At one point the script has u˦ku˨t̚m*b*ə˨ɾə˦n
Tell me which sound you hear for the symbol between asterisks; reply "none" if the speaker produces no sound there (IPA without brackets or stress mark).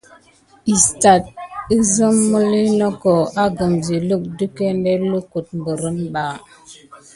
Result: b